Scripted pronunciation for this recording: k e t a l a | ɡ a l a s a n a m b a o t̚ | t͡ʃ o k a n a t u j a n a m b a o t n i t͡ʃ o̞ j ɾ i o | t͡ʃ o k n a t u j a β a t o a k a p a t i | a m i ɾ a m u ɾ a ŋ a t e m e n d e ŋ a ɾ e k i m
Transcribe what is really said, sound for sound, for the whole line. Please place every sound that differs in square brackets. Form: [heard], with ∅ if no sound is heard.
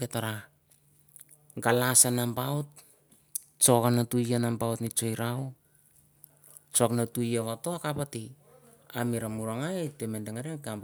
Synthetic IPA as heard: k e t a [ɾ] a | ɡ a l a s a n a m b a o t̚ | t͡ʃ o k a n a t u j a n a m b a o t n i t͡ʃ o̞ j ɾ [a] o | t͡ʃ o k n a t u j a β a t o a k a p a t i | a m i ɾ a m u ɾ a ŋ a t e m e n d e ŋ a ɾ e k [a] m